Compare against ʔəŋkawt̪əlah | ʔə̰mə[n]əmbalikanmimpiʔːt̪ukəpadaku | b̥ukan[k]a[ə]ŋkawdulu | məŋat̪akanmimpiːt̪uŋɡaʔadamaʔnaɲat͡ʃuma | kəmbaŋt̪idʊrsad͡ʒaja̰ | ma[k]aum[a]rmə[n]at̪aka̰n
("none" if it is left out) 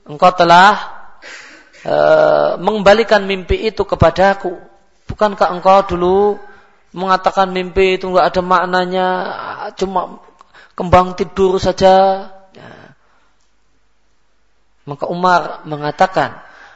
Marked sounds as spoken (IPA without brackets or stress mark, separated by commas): ŋ, k, ə, k, a, ŋ